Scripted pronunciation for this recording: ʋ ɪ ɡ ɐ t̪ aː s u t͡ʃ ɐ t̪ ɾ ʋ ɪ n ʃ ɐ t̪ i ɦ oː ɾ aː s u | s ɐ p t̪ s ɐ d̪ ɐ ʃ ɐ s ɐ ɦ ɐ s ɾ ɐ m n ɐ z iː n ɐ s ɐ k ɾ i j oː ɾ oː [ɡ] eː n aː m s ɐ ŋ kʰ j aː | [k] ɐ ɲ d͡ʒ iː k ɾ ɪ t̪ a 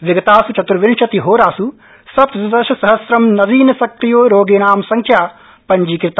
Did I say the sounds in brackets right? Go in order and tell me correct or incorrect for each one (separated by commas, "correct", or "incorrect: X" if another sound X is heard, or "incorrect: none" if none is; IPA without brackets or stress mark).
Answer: correct, incorrect: p